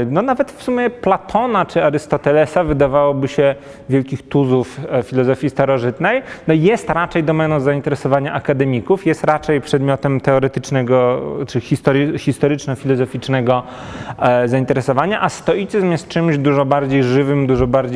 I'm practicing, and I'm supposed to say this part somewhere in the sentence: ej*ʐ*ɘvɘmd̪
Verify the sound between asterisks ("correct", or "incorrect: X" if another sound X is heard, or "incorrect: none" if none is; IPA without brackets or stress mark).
correct